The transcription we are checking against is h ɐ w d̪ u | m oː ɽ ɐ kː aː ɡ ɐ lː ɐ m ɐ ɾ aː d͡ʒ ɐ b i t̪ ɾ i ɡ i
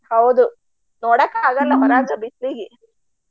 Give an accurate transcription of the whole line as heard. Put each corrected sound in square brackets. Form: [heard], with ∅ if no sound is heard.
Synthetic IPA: h ɐ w d̪ u | [n] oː ɽ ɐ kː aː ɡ ɐ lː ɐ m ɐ ɾ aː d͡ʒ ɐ b i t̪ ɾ i ɡ i